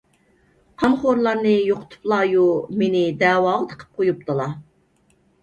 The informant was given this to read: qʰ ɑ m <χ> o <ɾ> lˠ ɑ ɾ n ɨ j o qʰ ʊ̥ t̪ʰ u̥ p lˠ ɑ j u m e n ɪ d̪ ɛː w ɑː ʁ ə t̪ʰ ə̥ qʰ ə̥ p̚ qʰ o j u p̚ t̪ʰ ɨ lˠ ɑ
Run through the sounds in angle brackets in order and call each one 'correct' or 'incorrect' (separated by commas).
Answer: correct, correct